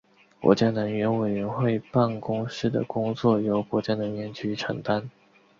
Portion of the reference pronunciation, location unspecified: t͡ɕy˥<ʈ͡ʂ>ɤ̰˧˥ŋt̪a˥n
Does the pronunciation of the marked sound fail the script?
yes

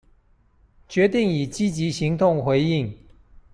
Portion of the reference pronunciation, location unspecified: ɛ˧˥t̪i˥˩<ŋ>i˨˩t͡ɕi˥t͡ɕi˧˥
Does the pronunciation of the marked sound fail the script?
no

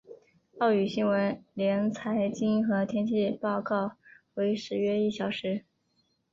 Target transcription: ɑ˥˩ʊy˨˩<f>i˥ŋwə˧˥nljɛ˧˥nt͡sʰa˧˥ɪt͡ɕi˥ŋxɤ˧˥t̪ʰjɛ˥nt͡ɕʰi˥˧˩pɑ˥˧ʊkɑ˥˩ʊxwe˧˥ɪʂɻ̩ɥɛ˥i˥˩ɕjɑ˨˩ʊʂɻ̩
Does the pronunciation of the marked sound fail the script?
yes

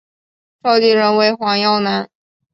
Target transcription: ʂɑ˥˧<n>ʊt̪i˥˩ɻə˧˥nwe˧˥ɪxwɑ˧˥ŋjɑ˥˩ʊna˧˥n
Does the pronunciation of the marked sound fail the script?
yes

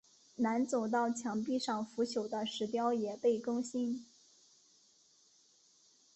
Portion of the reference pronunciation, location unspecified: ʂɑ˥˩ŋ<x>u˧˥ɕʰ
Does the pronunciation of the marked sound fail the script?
yes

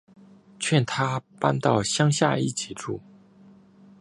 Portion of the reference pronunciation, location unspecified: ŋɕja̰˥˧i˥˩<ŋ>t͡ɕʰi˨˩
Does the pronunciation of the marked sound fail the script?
yes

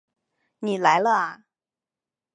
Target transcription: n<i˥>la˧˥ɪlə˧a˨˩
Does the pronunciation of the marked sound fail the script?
yes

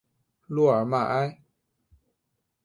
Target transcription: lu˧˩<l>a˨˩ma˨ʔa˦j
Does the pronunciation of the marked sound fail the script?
yes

